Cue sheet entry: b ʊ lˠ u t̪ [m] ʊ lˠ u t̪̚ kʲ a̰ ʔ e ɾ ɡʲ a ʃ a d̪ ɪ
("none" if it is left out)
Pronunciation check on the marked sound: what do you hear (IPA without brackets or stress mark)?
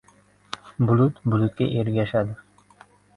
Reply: b